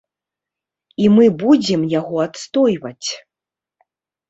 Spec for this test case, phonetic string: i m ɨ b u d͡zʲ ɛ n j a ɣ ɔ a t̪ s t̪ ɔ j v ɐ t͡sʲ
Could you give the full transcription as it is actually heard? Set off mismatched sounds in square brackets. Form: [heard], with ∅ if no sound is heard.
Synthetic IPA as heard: i m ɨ b u d͡zʲ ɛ [m] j a ɣ ɔ a t̪ s t̪ ɔ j v ɐ t͡sʲ